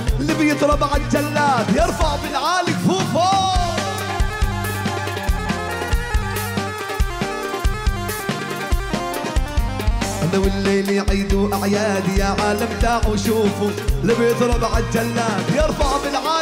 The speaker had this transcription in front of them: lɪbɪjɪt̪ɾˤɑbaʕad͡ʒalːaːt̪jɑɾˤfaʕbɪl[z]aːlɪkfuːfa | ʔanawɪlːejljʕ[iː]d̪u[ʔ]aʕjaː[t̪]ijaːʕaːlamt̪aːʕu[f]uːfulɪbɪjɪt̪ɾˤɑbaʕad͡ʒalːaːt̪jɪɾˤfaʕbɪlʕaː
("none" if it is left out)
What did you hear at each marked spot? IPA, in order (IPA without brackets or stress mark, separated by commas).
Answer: ʕ, iː, ʔ, d̪, ʃ